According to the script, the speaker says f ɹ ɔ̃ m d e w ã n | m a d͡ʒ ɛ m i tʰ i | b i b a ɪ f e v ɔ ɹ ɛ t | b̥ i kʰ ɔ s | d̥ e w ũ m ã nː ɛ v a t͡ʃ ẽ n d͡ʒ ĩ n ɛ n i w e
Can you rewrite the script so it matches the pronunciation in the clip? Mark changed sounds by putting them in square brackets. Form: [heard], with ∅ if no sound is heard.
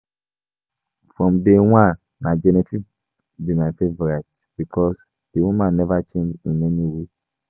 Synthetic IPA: f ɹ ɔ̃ m d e w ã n | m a d͡ʒ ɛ [n] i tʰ i | b i [m] a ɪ f e v ɔ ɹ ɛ t | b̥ i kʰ ɔ s | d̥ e w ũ m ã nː ɛ v a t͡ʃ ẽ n d͡ʒ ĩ n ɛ n i w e